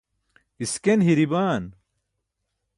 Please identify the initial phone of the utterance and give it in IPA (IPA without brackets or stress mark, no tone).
i